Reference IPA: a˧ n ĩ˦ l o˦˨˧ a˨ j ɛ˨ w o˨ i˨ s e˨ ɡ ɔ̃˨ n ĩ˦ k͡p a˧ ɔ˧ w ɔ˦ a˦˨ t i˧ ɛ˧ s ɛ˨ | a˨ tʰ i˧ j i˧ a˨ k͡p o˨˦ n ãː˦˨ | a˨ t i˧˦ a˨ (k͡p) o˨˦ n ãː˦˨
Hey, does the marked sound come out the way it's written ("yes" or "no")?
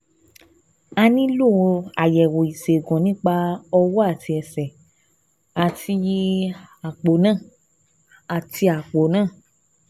yes